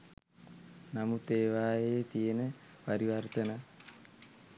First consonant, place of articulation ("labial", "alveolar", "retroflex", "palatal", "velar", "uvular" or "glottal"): alveolar